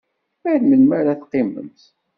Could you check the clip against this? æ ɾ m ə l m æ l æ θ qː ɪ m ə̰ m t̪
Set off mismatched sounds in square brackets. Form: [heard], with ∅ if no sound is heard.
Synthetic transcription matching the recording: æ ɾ m ə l m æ [ɾ] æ θ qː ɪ m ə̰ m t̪